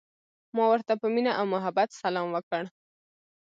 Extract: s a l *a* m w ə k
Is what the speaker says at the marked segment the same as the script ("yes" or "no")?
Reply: no